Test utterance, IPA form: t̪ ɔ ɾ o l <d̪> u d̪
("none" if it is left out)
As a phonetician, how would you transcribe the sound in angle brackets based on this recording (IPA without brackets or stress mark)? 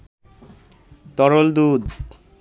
d̪